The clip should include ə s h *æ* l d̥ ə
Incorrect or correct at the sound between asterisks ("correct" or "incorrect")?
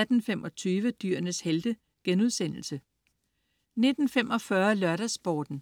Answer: incorrect